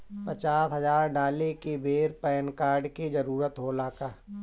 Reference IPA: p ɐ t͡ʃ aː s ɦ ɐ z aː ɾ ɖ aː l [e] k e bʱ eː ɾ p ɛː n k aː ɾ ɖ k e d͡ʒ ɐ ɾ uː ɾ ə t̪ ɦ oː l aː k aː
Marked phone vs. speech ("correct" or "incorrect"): correct